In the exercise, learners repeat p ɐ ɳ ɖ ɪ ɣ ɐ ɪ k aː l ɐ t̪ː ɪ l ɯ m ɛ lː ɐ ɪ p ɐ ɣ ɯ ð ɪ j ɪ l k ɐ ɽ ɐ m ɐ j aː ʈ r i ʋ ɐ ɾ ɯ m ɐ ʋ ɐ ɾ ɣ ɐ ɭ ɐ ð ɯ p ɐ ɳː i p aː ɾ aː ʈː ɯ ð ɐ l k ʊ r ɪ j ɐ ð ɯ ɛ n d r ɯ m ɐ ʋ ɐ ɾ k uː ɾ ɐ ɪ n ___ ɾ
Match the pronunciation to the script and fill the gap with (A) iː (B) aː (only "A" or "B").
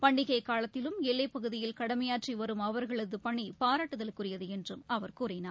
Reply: B